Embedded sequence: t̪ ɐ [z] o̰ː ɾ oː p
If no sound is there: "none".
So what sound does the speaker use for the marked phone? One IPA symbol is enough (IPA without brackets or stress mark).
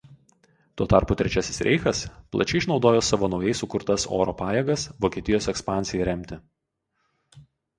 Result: s